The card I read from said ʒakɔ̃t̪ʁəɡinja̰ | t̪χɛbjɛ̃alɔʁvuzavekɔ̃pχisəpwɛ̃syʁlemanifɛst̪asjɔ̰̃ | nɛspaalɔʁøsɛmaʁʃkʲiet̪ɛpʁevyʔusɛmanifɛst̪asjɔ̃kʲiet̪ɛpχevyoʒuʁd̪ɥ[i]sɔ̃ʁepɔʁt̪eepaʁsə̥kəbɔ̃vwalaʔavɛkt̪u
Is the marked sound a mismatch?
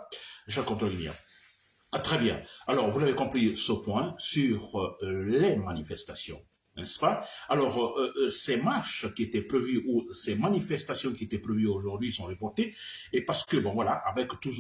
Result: no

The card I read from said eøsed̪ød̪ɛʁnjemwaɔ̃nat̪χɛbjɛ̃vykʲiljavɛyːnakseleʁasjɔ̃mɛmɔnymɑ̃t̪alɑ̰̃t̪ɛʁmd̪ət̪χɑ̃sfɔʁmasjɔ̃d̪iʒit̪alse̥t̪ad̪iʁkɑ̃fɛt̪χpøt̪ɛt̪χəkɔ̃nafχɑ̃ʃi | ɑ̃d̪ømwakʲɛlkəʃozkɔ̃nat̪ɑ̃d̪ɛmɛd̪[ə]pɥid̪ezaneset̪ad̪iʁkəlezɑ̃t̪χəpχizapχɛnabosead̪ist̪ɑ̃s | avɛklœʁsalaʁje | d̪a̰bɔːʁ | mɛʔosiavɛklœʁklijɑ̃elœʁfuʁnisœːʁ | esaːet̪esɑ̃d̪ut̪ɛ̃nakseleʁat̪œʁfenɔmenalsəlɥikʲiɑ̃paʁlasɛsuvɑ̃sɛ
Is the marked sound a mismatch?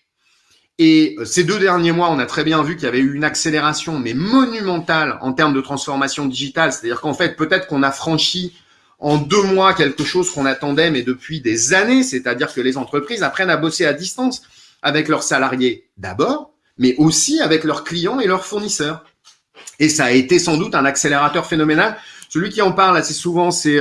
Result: no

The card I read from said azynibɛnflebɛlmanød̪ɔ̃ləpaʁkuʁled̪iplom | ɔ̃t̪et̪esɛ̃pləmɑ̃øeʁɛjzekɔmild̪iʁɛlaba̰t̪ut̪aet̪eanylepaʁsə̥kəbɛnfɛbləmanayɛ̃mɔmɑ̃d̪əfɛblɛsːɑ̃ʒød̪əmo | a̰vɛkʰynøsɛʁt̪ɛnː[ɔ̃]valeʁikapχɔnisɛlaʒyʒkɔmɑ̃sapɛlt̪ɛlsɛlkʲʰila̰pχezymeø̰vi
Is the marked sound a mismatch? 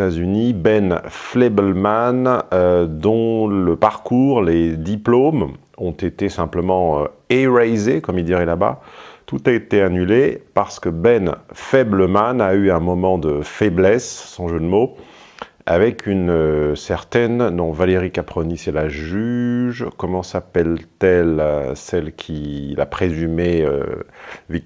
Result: no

